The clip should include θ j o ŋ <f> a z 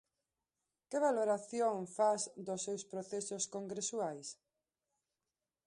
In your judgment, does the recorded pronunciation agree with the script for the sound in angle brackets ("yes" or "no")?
yes